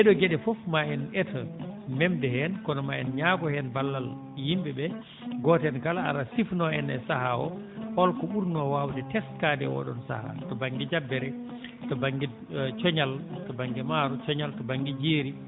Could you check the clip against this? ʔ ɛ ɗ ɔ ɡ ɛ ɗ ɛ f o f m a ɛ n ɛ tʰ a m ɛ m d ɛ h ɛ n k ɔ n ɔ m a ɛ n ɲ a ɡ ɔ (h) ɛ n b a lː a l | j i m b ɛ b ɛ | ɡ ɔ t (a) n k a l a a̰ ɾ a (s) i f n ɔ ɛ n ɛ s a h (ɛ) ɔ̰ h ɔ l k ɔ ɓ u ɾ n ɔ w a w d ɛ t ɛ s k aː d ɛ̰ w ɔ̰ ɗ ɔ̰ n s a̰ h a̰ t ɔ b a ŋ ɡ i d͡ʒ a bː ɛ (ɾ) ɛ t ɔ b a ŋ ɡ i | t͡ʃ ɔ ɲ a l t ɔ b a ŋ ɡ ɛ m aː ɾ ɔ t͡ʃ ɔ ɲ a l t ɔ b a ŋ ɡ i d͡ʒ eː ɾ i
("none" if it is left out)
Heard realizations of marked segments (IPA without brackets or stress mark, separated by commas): h, ɛ, s, a, ɾ